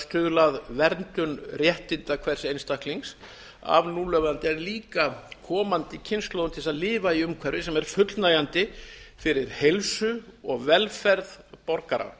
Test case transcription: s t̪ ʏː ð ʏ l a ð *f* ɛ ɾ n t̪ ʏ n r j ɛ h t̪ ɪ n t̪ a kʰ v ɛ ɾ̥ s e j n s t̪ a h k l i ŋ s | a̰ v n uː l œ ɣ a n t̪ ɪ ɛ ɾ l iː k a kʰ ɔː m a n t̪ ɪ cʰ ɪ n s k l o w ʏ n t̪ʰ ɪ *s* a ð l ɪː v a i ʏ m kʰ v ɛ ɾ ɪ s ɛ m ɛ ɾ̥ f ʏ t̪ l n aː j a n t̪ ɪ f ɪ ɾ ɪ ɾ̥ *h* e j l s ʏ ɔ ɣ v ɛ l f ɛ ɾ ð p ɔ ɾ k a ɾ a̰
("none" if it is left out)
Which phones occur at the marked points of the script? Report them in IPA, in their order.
v, s, h

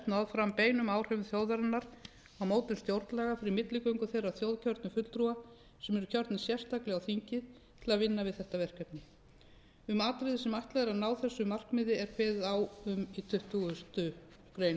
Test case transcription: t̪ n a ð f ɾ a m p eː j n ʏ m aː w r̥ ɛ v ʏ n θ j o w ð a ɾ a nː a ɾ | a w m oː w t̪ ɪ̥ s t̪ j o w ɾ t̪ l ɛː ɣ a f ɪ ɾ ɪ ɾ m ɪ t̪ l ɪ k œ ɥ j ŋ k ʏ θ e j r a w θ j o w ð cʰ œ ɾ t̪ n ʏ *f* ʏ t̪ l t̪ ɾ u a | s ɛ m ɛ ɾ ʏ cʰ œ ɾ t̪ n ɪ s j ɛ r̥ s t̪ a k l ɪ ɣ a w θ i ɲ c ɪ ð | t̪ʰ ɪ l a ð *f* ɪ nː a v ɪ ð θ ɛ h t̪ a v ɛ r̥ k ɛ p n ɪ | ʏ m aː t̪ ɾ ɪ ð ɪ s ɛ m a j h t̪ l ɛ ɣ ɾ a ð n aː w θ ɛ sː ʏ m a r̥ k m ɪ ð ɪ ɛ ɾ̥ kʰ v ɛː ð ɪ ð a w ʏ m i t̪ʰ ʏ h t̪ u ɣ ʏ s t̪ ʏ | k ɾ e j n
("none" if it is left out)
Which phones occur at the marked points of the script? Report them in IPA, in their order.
f, v

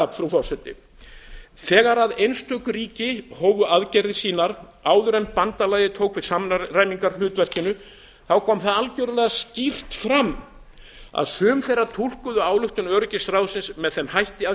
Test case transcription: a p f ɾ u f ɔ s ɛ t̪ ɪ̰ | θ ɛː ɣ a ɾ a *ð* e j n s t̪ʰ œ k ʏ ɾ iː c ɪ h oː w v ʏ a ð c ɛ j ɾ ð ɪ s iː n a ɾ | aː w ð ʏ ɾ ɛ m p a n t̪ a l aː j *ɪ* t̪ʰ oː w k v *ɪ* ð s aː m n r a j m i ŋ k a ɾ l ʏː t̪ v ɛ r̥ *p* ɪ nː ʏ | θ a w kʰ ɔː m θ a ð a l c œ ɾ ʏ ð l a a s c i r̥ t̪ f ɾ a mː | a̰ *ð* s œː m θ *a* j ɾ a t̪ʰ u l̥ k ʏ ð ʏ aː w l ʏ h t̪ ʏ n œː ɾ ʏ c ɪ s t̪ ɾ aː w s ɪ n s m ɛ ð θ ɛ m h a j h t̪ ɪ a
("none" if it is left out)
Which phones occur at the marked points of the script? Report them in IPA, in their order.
ð, ɪ, ɪ, c, ð, e

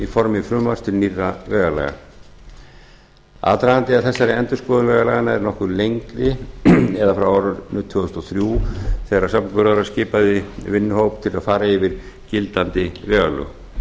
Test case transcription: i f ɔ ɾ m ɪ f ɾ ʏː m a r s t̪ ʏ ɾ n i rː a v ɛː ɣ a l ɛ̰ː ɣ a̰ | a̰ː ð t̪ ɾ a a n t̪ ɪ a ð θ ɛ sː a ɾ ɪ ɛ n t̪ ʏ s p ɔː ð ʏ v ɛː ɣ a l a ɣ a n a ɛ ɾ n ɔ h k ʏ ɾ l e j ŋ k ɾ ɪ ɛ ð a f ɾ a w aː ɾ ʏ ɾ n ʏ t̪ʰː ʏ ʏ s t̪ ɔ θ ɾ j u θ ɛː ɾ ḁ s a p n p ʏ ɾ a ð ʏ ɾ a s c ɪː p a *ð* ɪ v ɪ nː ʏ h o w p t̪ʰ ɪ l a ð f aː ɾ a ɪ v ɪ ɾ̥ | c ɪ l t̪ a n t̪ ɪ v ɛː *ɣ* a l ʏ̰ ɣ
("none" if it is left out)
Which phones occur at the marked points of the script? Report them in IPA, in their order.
ð, ɣ

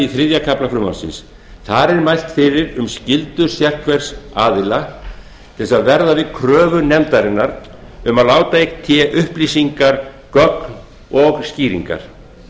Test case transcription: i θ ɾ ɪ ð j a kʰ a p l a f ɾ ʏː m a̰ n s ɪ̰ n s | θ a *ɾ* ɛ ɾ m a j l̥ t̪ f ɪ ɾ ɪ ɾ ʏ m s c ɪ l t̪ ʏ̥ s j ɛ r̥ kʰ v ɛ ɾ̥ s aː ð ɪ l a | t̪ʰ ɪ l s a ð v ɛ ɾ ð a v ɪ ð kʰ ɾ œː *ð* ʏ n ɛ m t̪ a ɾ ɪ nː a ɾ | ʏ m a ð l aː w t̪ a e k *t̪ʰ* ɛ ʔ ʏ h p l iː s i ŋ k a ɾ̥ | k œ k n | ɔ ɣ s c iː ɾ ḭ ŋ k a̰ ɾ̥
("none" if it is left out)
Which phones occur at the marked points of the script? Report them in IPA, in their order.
ɾ, v, t̪ʰ

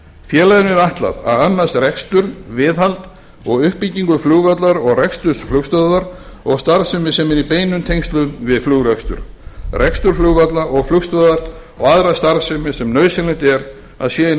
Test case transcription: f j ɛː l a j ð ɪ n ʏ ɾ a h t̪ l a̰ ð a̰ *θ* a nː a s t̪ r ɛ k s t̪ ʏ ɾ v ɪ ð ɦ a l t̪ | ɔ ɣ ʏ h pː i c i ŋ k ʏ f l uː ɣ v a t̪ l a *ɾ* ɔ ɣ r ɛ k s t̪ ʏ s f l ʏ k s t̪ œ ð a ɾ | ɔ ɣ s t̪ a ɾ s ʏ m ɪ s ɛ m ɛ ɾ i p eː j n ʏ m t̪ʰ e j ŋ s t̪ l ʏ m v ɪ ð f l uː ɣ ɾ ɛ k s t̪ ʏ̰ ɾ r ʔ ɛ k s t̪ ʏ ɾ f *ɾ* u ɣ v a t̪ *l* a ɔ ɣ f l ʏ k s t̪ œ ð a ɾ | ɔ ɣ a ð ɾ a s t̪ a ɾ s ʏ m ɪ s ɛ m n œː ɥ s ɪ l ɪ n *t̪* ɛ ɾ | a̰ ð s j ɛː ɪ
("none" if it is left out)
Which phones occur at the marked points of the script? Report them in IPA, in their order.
ð, ɾ, l, l, t̪

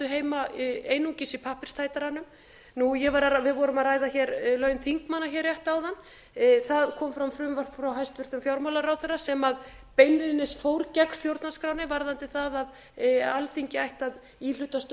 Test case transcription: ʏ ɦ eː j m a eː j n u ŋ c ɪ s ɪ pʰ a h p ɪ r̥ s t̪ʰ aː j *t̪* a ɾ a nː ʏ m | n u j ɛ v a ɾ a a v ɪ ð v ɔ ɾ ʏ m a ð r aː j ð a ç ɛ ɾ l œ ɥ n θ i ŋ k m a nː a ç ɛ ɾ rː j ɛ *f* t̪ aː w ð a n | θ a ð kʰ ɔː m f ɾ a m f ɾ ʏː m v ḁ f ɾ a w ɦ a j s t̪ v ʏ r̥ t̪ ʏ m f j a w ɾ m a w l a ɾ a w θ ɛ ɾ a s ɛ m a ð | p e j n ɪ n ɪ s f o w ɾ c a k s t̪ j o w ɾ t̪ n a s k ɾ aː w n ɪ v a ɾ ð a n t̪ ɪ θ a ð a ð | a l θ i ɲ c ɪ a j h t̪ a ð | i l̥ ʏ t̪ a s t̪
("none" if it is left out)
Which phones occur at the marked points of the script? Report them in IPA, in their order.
t̪, h

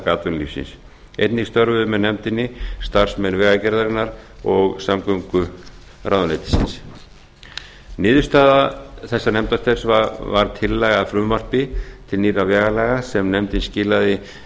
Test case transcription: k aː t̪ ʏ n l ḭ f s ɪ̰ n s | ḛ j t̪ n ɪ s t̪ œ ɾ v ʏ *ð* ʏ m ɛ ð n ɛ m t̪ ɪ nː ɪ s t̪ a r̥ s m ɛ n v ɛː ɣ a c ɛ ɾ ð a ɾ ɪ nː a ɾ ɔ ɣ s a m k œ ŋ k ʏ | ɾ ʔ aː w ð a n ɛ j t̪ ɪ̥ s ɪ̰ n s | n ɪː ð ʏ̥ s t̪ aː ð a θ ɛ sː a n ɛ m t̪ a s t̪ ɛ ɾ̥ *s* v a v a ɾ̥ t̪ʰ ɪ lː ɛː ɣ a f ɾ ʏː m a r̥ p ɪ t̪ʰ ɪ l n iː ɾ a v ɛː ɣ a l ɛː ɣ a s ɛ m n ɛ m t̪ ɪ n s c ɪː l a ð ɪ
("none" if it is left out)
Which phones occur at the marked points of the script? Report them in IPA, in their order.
ð, s

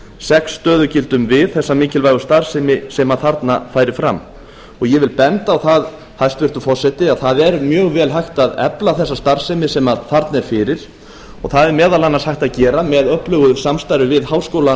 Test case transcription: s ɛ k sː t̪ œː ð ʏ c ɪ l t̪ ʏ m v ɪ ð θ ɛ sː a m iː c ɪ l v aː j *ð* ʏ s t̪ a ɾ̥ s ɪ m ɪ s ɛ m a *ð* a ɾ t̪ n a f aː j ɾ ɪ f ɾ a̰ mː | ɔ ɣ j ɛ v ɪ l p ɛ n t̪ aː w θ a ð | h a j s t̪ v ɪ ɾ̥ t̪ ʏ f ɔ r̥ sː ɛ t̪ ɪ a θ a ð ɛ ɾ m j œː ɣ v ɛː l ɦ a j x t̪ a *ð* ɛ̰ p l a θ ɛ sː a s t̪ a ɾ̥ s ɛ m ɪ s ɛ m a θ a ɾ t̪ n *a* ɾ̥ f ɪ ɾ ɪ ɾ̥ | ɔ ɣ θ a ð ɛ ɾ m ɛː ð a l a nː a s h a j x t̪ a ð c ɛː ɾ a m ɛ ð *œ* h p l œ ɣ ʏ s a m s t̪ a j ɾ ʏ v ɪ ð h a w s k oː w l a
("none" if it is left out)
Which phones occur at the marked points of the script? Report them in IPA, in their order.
ɣ, θ, ð, ɛ, œ

